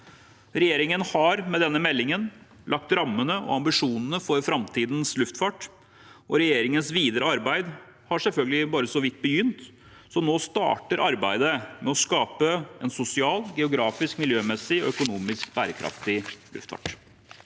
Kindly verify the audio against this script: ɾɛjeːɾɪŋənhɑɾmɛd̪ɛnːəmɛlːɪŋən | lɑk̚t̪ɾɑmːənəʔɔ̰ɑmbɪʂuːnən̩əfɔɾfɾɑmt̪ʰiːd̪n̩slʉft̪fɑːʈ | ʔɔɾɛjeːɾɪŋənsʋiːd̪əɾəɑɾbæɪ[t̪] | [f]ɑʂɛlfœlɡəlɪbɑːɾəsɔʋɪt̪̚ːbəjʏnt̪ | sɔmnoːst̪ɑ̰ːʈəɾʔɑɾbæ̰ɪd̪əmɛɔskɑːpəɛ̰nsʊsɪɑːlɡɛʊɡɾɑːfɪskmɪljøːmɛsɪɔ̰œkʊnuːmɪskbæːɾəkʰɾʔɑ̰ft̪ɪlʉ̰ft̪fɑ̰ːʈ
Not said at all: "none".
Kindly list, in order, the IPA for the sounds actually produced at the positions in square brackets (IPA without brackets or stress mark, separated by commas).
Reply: d̪, h